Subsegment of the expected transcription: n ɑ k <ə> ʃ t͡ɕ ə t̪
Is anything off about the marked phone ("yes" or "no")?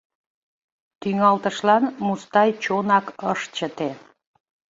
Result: no